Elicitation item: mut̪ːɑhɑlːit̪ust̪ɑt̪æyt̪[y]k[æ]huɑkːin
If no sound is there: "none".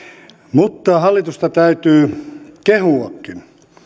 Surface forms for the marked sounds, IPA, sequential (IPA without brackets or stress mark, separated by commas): yː, e